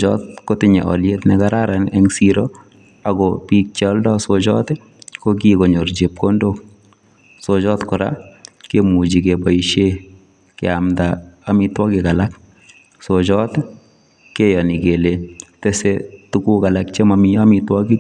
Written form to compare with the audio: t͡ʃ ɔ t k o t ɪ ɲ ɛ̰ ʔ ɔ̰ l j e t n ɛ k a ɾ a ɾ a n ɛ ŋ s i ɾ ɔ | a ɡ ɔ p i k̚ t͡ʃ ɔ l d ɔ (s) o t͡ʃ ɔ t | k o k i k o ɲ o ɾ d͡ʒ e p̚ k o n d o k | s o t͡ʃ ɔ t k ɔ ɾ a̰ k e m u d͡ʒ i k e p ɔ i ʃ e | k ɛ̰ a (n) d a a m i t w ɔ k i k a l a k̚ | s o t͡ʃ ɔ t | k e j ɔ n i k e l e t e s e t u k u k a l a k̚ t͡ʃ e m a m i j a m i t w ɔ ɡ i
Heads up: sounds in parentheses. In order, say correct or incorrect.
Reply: correct, incorrect

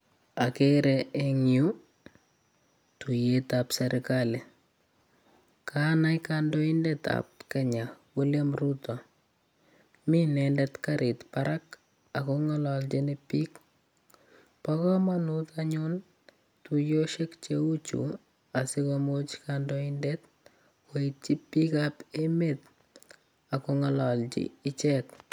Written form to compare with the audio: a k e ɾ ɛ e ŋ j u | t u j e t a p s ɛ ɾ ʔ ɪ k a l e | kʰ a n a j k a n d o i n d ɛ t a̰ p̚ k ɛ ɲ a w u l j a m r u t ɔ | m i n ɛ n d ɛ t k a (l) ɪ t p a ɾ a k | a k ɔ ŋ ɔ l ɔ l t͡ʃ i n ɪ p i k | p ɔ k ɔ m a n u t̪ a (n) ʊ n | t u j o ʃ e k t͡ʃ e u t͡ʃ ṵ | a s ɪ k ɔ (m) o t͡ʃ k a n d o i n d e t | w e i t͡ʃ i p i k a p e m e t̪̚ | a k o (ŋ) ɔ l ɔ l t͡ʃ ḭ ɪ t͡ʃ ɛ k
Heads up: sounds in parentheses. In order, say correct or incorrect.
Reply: incorrect, incorrect, correct, correct

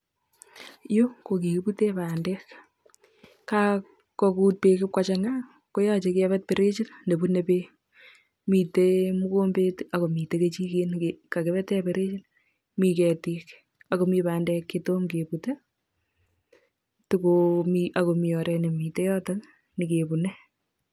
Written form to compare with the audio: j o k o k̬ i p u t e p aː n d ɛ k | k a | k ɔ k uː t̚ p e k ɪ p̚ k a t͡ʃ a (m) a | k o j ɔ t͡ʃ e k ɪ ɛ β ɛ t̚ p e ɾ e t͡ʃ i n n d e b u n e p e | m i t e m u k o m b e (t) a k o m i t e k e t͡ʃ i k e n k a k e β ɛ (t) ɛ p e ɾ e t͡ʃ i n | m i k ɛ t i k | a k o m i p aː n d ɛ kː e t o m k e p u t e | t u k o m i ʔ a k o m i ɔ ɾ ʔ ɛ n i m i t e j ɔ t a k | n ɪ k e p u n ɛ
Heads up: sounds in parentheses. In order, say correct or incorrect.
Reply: incorrect, correct, correct

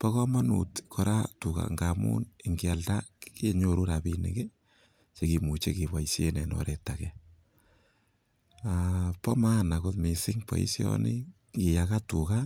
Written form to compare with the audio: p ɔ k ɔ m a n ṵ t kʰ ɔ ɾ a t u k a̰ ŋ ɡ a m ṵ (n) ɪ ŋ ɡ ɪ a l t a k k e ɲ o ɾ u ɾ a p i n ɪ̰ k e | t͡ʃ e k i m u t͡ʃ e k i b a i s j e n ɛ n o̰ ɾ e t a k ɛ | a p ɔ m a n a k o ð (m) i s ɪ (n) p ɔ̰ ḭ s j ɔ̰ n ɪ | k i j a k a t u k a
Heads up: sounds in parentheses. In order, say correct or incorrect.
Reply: correct, correct, incorrect

